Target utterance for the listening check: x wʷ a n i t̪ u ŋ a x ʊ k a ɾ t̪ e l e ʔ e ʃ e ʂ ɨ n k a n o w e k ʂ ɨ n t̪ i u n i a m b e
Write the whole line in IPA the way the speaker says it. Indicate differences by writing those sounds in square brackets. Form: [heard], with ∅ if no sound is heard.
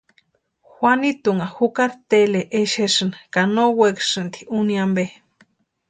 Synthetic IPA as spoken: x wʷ a n i t̪ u ŋ a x [u] k a ɾ t̪ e l e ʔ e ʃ e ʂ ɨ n k a n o w e k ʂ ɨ n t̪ i u n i a m b e